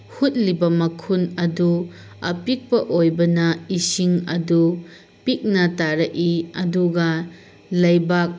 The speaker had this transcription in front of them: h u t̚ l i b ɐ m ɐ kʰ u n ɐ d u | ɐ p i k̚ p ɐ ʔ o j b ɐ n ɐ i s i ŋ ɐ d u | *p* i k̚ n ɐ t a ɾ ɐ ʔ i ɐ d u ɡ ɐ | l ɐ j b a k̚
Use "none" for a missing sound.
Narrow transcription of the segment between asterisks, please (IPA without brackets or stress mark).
p